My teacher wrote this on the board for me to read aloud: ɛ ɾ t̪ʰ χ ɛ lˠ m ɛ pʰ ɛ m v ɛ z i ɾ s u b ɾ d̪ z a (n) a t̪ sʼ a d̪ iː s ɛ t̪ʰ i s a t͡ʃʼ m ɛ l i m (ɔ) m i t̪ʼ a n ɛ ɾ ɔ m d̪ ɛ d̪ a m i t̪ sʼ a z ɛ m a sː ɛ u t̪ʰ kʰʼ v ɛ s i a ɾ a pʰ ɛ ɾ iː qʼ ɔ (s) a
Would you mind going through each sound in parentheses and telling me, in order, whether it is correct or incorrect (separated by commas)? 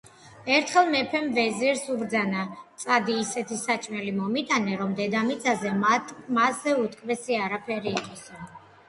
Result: correct, correct, correct